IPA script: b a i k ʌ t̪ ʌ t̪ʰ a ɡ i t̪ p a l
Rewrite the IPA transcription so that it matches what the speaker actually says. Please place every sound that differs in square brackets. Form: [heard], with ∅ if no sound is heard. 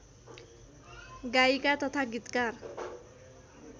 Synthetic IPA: [ɡ] a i k [a] t̪ ʌ t̪ʰ a ɡ i t̪ [k] a [r]